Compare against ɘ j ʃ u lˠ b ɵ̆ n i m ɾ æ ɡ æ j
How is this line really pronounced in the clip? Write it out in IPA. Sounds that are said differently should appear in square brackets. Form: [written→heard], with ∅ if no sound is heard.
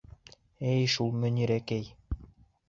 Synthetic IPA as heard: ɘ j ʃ u lˠ [b→m] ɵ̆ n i [m→∅] ɾ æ [ɡ→k] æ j